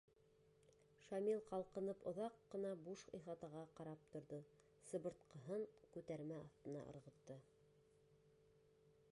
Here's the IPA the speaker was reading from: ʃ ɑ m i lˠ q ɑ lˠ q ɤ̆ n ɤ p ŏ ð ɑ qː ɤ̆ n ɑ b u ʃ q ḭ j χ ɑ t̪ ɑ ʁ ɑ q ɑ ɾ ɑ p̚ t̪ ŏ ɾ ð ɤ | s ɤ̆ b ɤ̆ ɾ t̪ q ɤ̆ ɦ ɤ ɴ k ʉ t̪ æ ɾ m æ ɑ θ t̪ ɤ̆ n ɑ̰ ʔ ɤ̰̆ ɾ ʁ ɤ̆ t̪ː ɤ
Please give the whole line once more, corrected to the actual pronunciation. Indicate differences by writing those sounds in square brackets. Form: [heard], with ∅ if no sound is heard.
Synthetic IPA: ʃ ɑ m i lˠ q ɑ lˠ q ɤ̆ n ɤ p ŏ ð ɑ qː ɤ̆ n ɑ b u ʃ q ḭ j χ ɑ t̪ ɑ ʁ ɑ q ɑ ɾ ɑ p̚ t̪ ŏ ɾ ð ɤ | s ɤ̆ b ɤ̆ ɾ t̪ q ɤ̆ ɦ ɤ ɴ k ʉ t̪ æ ɾ m æ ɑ θ t̪ ɤ̆ n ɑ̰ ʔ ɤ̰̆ ɾ ʁ ɤ̆ t̪ː ɤ